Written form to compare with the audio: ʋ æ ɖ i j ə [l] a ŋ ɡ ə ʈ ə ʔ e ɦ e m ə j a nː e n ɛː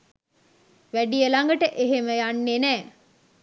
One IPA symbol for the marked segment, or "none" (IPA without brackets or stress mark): l